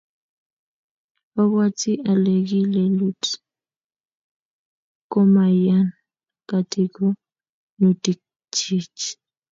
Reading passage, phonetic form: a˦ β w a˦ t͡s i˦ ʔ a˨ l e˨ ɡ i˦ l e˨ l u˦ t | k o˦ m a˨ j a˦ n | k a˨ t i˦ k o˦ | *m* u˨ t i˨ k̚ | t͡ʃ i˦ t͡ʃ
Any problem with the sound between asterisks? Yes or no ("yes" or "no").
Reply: yes